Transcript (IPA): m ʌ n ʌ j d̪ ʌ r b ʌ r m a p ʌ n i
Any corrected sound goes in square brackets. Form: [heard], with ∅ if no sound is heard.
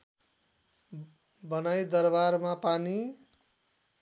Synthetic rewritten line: [b] ʌ n [a] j d̪ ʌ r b [a] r m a p [a] n i